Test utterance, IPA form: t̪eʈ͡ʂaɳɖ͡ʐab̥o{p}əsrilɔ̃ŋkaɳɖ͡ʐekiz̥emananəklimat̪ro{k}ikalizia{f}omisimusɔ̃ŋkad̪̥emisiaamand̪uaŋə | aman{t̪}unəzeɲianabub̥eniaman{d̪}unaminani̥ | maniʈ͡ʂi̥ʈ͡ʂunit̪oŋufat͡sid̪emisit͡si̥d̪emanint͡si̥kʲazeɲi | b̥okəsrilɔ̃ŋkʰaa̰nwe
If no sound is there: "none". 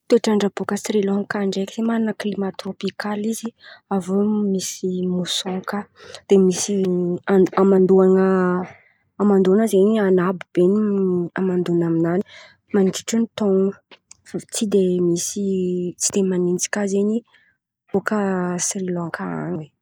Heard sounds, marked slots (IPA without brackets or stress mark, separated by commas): k, p, v, d̪, d̪